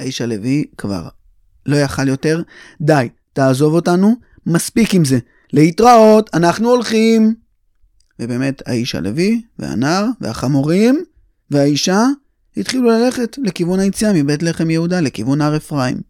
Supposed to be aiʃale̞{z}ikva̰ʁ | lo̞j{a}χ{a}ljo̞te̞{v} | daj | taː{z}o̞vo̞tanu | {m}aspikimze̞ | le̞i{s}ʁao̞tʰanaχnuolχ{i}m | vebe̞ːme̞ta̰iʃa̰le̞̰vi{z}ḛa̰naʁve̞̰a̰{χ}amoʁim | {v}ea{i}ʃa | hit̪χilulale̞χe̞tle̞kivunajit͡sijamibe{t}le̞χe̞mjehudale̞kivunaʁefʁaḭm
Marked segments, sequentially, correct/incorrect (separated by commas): incorrect, correct, correct, incorrect, correct, correct, incorrect, correct, incorrect, correct, correct, correct, correct